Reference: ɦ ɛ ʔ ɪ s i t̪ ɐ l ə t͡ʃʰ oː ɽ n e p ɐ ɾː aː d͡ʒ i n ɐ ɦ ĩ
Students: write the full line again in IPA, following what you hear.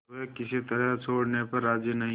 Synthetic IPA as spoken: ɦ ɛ k ɪ s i t̪ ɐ ɾ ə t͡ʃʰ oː ɽ n e p ɐ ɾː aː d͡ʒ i n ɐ ɦ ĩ